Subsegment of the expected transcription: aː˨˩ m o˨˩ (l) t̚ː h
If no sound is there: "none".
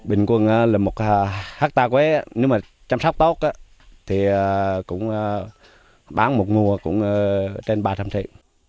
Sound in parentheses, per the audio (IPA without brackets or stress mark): none